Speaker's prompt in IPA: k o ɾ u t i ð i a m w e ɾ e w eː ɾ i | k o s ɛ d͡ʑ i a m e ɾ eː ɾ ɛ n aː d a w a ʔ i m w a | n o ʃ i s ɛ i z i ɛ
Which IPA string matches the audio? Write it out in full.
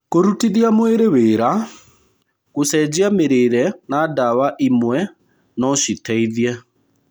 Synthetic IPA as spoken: k o ɾ u t i ð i a m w e ɾ e w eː ɾ a | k o s ɛ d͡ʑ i a m e ɾ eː ɾ ɛ n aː d a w a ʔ i m w ɛ | n ɔ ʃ i t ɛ i ð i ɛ